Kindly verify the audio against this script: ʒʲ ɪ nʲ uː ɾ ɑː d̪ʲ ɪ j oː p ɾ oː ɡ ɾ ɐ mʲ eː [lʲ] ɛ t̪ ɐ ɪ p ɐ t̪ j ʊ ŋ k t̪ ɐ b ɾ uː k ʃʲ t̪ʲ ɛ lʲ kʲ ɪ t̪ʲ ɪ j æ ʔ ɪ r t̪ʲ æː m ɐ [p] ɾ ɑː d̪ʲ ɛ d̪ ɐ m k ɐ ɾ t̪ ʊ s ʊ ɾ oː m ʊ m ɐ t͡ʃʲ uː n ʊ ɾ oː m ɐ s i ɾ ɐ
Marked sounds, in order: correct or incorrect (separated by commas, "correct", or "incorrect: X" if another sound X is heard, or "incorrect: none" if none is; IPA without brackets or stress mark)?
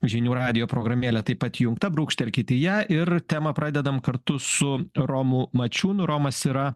correct, correct